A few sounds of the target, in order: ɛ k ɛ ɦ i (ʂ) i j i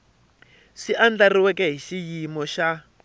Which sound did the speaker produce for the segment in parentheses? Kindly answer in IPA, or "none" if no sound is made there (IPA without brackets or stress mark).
ʃ